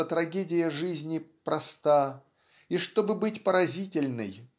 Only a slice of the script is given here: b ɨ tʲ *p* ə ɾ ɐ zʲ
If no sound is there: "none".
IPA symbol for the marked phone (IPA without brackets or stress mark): p